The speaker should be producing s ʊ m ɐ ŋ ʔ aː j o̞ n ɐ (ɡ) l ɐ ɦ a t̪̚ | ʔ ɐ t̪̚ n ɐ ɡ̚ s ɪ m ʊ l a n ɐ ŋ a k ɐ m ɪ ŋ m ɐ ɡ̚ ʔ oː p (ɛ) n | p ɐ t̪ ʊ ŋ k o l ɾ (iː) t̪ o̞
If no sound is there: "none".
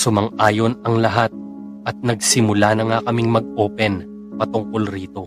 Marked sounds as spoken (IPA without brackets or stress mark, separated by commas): ŋ, ɛ, iː